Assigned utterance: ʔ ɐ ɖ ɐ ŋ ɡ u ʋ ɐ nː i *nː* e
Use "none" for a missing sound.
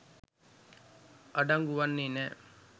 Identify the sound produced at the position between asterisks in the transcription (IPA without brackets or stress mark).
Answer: n